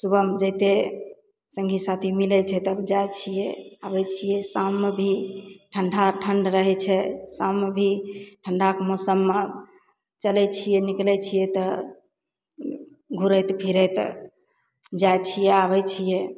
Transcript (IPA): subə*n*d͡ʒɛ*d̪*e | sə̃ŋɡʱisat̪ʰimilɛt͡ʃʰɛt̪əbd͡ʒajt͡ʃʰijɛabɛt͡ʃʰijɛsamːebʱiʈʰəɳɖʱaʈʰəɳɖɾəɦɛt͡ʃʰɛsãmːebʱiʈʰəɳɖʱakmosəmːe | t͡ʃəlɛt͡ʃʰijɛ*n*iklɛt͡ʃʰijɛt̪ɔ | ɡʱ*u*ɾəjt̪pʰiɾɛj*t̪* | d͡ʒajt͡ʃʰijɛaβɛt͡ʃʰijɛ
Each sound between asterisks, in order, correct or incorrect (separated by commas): incorrect, incorrect, correct, correct, correct